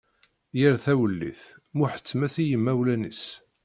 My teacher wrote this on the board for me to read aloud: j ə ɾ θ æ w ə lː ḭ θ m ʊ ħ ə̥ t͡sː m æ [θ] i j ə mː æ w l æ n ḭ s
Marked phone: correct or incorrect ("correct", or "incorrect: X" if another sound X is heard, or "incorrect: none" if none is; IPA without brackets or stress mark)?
correct